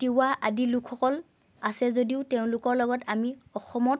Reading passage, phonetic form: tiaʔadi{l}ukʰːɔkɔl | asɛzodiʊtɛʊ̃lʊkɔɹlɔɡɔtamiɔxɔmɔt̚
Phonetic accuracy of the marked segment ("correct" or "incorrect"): correct